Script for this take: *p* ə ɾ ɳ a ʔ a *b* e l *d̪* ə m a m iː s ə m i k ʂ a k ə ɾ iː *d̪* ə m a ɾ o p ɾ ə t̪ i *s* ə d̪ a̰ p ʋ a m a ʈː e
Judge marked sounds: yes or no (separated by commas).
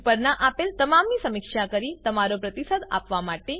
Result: yes, no, no, no, yes